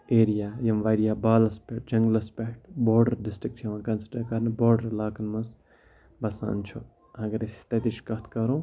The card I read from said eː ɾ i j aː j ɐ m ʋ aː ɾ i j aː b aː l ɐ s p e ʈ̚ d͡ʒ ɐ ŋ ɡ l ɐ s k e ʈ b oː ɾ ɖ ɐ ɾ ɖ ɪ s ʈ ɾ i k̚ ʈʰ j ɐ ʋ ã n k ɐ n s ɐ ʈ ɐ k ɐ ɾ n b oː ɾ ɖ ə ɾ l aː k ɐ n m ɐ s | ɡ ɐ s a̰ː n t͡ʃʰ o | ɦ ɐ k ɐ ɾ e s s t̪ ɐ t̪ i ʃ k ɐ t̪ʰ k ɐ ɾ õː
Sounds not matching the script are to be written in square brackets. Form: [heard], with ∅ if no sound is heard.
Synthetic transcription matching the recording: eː ɾ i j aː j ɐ m ʋ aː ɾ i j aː b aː l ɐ s p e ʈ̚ d͡ʒ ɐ ŋ ɡ l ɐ s [p] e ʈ b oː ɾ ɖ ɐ ɾ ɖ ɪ s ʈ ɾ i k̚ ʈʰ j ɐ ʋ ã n k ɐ n s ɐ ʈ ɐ k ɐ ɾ n b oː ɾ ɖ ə ɾ l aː k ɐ n m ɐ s | [b] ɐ s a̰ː n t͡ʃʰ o | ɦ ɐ [ɡ] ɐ ɾ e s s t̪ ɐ t̪ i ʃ k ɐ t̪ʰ k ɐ ɾ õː